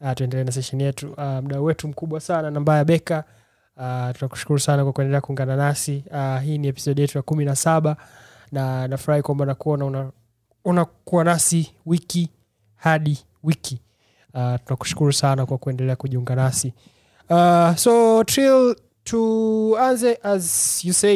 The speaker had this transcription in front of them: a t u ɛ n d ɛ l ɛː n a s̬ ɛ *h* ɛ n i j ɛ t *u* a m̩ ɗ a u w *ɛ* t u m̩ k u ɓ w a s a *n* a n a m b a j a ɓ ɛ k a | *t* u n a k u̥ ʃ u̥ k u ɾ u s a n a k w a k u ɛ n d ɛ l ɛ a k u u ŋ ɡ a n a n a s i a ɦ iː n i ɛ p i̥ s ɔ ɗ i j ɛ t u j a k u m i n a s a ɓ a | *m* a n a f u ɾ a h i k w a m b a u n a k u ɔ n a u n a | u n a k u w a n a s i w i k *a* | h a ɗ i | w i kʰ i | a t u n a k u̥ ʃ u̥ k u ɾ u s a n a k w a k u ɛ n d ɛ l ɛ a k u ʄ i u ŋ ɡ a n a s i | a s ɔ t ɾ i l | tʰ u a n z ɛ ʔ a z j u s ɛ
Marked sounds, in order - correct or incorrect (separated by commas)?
incorrect, correct, correct, correct, correct, incorrect, incorrect